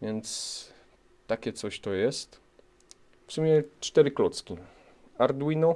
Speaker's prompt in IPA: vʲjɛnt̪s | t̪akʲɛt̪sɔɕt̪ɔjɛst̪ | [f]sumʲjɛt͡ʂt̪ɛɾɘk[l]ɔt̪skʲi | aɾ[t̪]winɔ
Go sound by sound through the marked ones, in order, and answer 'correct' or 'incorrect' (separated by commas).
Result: correct, correct, incorrect